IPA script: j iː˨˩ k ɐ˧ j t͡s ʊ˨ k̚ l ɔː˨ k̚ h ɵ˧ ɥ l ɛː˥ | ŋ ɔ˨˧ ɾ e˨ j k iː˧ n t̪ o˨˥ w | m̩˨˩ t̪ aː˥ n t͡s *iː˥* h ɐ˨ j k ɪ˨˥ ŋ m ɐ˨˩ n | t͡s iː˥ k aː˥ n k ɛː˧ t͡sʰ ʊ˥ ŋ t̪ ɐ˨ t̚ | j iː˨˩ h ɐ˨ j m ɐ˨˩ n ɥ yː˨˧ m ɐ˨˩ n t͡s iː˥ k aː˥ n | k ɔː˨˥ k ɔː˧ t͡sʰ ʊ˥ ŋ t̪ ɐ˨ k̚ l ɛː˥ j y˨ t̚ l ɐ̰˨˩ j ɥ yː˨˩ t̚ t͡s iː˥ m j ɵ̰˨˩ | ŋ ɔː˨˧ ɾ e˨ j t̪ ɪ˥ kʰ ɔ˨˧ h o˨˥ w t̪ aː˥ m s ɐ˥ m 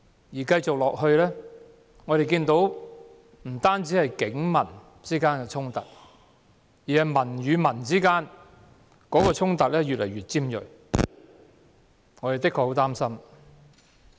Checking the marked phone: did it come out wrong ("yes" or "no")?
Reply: yes